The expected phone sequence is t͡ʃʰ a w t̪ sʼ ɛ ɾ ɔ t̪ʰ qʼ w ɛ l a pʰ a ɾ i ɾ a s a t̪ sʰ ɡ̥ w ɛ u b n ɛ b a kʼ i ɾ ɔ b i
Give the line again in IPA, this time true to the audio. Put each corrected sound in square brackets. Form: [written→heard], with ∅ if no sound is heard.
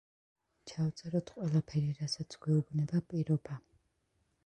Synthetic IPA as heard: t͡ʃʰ a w t̪ sʼ ɛ ɾ ɔ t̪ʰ qʼ w ɛ l a pʰ [a→ɛ] ɾ i ɾ a s a t̪ sʰ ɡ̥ w ɛ u b n ɛ b a [kʼ→pʼ] i ɾ ɔ b [i→a]

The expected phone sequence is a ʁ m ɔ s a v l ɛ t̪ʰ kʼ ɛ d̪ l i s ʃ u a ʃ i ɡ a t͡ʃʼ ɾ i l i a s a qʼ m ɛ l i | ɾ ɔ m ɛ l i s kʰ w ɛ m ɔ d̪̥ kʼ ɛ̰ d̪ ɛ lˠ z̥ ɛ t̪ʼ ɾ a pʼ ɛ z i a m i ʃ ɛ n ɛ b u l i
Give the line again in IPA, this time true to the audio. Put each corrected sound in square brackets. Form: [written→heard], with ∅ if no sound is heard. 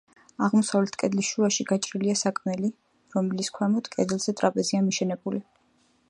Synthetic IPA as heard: a ʁ m ɔ s a v l ɛ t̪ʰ kʼ ɛ d̪ l i s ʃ u a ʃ i ɡ a t͡ʃʼ ɾ i l i a s a [qʼ→kʼ] m ɛ l i | ɾ ɔ m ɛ l i s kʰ w ɛ m ɔ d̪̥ kʼ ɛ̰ d̪ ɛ lˠ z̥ ɛ t̪ʼ ɾ a pʼ ɛ z i a m i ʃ ɛ n ɛ b u l i

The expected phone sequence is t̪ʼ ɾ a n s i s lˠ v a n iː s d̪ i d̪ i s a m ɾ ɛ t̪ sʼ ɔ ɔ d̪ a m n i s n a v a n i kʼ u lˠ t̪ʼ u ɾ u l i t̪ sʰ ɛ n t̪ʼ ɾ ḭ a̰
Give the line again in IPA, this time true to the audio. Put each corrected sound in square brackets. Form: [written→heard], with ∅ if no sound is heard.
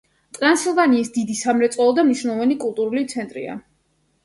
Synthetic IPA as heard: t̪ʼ ɾ a n s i [s→∅] lˠ v a n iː s d̪ i d̪ i s a m ɾ ɛ t̪ sʼ ɔ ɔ d̪ a m n i [s→ʃ] n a v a n i kʼ u lˠ t̪ʼ u ɾ u l i t̪ sʰ ɛ n t̪ʼ ɾ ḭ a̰

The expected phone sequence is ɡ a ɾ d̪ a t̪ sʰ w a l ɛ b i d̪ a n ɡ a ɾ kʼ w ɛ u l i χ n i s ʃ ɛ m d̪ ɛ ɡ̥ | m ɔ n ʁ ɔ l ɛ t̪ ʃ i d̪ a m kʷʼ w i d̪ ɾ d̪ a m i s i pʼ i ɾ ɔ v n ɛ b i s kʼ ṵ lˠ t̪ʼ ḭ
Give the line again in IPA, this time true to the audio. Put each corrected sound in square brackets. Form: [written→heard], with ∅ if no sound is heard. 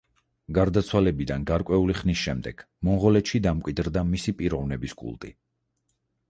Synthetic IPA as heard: ɡ a ɾ d̪ a t̪ sʰ w a l ɛ b i d̪ a n ɡ a ɾ kʼ w ɛ u l i χ n i s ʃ ɛ m d̪ ɛ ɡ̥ | m ɔ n ʁ ɔ l ɛ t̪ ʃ i d̪ a m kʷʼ w i d̪ ɾ d̪ a m i s i pʼ i ɾ ɔ v n ɛ b i s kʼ ṵ lˠ t̪ʼ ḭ

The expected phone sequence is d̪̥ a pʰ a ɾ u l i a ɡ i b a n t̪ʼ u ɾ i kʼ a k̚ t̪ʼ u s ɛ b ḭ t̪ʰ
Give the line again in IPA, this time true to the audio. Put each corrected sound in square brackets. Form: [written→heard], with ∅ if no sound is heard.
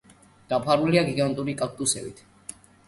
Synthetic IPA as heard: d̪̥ a pʰ a ɾ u l i a ɡ i [b→ɡ] a n t̪ʼ u ɾ i kʼ a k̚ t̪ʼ u s ɛ b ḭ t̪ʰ

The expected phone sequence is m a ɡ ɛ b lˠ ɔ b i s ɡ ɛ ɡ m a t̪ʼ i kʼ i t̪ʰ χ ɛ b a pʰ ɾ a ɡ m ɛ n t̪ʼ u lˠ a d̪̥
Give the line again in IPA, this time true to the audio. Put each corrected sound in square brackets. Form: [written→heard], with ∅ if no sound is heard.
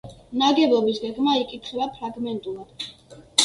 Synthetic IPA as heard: [m→n] a ɡ ɛ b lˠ ɔ b i s ɡ ɛ ɡ m a [t̪ʼ→∅] i kʼ i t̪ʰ χ ɛ b a pʰ ɾ a ɡ m ɛ n t̪ʼ u lˠ a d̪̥

